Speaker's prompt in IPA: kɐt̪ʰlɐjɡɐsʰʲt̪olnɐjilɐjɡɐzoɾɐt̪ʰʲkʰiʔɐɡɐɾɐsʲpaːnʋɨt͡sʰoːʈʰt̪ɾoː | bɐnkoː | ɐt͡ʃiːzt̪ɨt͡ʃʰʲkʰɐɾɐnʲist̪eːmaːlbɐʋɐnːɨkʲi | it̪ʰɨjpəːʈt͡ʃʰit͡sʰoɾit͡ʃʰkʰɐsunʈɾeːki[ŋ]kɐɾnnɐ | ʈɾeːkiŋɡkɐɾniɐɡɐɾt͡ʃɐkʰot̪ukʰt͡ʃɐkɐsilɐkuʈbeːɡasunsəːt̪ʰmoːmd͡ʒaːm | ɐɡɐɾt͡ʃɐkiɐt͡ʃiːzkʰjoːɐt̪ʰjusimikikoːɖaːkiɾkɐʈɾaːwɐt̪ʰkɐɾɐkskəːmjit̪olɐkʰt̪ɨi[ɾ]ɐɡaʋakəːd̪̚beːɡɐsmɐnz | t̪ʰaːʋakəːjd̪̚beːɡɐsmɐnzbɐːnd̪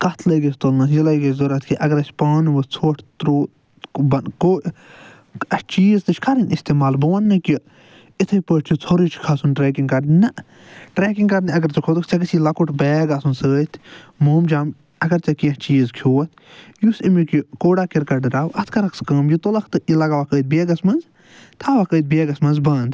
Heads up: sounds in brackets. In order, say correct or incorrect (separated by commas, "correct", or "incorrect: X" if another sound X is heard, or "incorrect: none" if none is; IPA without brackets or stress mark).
correct, incorrect: l